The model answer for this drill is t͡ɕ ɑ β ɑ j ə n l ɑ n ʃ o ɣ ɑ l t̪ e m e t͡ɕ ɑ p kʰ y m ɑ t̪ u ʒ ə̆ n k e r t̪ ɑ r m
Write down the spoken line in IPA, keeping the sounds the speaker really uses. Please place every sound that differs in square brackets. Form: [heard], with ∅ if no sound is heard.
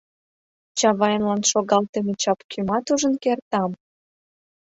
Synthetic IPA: t͡ɕ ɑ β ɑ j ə n l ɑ n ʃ o ɣ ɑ l t̪ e m e t͡ɕ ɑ p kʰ y m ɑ t̪ u ʒ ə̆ n k e r t̪ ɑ [∅] m